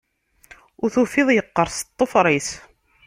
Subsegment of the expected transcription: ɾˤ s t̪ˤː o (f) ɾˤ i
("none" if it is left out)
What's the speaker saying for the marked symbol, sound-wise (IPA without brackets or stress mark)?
f